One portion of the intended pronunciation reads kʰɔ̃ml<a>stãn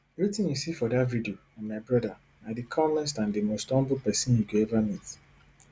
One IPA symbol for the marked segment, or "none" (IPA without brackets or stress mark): ɛ